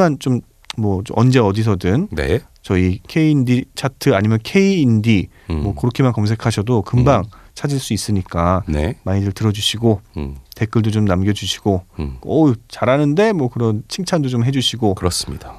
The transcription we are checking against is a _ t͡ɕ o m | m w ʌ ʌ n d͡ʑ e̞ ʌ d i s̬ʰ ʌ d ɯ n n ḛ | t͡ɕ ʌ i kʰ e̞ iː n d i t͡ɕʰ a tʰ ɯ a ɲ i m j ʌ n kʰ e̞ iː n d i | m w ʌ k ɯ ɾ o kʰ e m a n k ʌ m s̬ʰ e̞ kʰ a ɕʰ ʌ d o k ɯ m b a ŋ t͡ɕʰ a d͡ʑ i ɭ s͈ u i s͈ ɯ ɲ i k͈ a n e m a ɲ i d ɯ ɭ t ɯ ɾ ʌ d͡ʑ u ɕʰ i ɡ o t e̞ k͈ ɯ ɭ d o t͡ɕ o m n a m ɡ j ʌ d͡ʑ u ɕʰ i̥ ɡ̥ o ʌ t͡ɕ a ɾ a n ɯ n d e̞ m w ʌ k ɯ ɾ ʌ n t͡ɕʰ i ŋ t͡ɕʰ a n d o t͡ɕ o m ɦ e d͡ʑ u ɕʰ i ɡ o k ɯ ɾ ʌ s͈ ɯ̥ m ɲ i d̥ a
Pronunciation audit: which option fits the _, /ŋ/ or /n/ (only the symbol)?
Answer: n